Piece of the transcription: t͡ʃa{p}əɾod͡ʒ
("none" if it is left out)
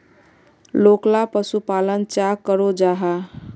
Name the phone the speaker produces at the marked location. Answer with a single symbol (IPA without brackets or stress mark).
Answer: k